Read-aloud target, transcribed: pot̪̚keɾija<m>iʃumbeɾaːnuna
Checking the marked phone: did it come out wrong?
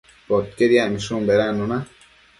no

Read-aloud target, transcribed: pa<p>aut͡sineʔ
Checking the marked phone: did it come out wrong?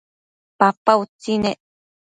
no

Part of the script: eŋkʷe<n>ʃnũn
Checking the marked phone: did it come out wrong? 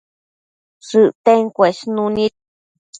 yes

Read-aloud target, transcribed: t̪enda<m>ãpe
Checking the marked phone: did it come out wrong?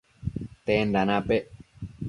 yes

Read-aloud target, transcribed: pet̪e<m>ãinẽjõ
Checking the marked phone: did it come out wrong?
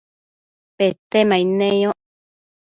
no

